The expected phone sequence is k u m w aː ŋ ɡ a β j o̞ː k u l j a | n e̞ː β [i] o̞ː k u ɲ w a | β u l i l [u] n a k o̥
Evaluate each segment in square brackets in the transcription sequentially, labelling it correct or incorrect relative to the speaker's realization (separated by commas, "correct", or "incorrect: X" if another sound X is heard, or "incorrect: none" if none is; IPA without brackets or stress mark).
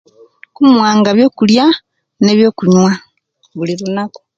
incorrect: j, correct